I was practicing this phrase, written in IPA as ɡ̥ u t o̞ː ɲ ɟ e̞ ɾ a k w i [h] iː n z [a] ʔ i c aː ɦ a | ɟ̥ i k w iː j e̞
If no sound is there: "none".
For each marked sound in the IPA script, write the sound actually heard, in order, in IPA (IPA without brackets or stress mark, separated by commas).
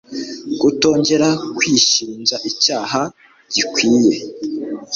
ʃ, a